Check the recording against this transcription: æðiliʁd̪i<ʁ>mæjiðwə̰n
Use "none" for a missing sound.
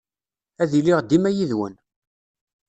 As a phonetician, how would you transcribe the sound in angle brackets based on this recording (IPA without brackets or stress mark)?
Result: none